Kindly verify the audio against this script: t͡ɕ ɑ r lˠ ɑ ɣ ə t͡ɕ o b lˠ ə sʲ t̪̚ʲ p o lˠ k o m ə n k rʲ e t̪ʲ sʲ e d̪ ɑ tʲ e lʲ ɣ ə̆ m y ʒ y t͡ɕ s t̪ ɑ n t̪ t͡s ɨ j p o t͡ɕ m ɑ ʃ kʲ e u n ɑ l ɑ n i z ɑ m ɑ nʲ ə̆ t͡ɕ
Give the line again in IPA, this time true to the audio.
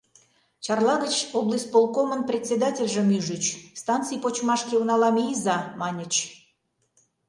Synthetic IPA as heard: t͡ɕ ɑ r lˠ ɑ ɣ ə t͡ɕ o b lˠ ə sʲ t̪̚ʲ p o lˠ k o m ə n p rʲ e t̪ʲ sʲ e d̪ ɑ tʲ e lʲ ʒ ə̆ m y ʒ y t͡ɕ s t̪ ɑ n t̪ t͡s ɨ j p o t͡ɕ m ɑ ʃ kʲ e u n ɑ l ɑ m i z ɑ m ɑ nʲ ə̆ t͡ɕ